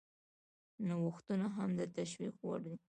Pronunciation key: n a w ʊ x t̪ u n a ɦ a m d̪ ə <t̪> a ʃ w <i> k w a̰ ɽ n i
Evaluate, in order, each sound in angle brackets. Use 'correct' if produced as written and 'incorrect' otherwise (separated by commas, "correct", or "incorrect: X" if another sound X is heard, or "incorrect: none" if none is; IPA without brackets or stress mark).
correct, correct